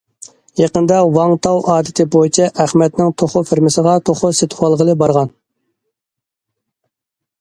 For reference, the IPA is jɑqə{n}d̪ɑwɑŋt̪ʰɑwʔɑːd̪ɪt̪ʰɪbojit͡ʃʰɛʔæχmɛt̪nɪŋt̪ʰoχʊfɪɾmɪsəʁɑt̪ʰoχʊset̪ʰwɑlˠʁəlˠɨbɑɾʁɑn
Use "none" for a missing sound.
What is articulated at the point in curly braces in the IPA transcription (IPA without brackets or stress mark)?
n